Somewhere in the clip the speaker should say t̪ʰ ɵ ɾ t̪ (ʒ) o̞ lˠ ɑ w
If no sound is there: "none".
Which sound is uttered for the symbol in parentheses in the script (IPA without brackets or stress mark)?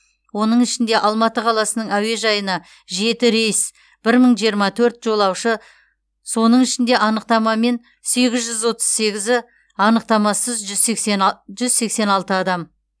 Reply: ʒ